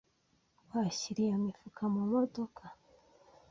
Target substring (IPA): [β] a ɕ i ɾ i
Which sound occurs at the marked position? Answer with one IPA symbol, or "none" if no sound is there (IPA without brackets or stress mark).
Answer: w